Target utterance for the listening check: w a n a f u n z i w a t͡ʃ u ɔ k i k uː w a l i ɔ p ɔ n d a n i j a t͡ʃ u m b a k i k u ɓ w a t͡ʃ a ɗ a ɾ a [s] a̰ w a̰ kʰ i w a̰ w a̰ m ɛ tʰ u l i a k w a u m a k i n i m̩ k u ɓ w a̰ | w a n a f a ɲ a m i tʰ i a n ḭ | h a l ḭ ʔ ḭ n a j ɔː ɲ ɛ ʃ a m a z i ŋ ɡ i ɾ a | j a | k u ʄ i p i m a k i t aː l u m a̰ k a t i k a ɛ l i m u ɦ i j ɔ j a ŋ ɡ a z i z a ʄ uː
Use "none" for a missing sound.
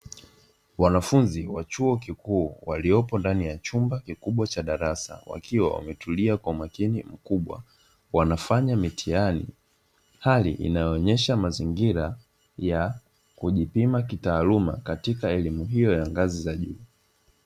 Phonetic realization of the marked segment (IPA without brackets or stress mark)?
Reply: s